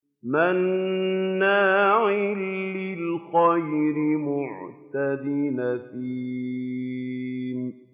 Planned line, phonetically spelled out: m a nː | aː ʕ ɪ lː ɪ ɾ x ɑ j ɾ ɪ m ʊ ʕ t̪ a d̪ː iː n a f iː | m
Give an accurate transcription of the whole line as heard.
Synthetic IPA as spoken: m a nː | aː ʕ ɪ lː ɪ l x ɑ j ɾ ɪ m ʊ ʕ t̪ a d̪ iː n a f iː | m